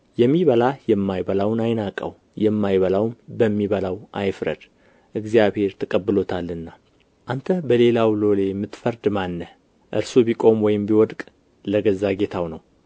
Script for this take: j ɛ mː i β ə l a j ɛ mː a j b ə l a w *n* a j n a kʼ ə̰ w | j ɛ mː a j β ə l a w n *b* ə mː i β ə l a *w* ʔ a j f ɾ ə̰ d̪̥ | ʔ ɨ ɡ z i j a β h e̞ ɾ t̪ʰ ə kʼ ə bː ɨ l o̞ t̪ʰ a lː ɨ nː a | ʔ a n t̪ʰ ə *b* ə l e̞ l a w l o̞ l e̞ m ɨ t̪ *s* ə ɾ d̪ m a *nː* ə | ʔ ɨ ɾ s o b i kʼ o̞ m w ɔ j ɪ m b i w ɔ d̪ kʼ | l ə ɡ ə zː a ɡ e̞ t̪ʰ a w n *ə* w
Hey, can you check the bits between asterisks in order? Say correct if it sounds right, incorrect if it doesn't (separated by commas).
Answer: correct, correct, correct, correct, incorrect, correct, correct